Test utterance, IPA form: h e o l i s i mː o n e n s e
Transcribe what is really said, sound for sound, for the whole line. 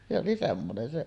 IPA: s e o l i s e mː o n e n s e